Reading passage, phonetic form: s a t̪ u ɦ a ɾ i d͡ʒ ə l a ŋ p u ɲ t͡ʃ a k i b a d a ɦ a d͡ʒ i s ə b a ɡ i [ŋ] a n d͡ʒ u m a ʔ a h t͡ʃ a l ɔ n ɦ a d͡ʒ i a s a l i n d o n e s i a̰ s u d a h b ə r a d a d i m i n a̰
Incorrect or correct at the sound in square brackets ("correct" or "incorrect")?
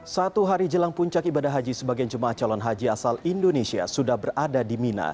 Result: incorrect